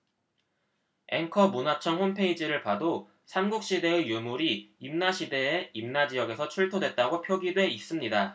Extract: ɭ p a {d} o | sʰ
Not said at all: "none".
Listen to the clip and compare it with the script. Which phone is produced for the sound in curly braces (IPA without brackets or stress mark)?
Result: d